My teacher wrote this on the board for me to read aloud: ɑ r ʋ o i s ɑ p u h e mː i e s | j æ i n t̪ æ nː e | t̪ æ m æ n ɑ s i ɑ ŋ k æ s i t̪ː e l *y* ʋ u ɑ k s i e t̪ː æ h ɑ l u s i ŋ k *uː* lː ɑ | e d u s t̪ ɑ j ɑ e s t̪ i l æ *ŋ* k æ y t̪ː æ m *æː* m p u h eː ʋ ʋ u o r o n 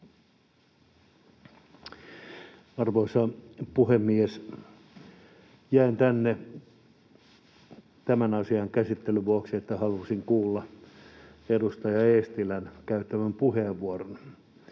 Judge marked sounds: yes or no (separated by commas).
yes, yes, no, no